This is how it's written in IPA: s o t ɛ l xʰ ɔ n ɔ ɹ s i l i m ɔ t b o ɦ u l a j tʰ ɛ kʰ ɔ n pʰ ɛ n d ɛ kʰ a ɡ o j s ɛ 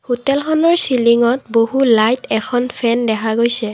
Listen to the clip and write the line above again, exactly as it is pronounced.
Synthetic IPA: h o t ɛ l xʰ ɔ n ɔ ɹ s i l i ŋ ɔ t b o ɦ u l a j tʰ ɛ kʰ ɔ n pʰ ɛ n d ɛ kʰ a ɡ o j s ɛ